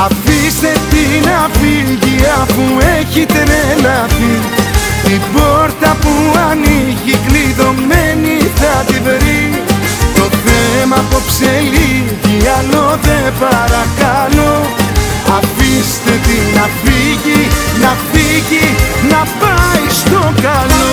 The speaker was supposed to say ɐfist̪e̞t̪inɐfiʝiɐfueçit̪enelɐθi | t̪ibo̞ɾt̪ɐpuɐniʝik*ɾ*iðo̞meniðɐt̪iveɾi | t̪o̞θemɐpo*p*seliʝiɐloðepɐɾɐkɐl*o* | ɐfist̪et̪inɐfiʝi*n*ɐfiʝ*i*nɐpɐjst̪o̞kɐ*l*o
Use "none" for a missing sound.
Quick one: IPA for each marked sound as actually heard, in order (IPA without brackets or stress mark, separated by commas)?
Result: l, p, o, n, i, l